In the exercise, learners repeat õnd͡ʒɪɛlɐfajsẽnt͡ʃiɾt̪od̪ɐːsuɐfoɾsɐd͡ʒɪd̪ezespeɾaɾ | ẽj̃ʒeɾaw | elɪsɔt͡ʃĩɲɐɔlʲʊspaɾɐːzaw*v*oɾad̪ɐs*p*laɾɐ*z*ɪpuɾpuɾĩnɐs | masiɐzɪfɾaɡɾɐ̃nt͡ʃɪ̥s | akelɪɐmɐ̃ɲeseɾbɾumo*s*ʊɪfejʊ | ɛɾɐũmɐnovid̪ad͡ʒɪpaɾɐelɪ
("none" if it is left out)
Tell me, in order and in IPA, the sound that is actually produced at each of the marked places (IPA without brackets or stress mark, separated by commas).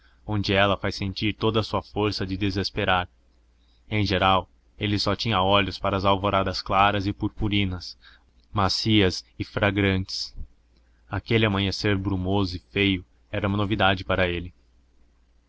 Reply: v, k, z, z